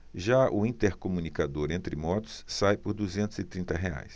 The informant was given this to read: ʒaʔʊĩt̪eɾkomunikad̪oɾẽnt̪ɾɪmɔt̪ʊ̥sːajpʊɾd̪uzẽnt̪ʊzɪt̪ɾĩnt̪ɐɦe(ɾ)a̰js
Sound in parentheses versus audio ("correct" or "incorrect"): incorrect